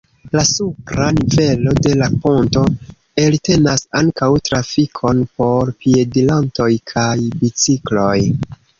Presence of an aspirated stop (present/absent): present